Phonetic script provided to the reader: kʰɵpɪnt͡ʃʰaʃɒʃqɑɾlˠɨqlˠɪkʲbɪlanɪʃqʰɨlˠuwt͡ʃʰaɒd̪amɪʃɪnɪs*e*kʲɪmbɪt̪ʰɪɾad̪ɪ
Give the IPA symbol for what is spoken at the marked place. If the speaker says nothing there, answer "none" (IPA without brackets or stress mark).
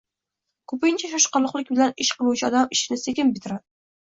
e